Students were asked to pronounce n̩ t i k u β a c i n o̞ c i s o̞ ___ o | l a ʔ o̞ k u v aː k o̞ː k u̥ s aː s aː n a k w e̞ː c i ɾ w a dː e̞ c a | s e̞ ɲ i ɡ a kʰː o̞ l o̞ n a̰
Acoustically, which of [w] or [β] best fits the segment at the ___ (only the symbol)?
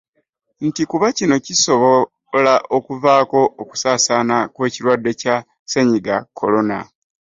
β